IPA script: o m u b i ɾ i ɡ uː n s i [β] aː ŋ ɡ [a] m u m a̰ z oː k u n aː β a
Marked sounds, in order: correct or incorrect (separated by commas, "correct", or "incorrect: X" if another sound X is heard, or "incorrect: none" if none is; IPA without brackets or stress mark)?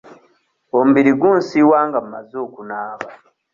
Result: incorrect: w, correct